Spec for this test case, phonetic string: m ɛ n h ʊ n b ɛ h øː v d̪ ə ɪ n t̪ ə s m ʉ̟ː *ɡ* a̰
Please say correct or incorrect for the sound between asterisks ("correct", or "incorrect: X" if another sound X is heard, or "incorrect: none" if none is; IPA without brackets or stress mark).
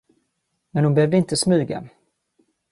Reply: correct